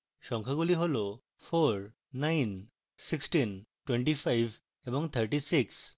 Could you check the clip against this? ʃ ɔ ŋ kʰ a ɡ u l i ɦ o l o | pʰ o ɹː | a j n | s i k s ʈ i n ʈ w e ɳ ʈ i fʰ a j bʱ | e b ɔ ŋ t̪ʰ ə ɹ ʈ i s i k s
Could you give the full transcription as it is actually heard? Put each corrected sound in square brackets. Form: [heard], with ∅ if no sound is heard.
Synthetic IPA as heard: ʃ ɔ ŋ kʰ a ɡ u l i ɦ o l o | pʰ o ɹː | a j n | s i k s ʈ i n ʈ w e ɳ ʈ i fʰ a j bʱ | e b ɔ ŋ t̪ʰ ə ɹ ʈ i s i k s